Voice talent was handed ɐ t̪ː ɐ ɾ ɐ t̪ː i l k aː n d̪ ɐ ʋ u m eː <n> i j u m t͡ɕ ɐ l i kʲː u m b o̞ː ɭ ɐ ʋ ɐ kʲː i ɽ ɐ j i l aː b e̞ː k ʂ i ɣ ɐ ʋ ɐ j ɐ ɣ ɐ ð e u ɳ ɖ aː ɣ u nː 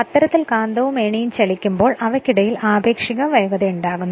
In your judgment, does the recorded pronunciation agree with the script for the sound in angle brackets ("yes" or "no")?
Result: no